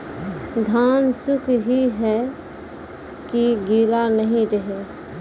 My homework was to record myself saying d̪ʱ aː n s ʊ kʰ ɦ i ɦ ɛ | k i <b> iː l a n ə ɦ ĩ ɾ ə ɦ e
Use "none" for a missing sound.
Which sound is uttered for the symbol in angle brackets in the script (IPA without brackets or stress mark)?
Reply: ɡ